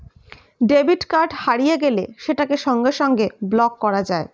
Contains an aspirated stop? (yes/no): no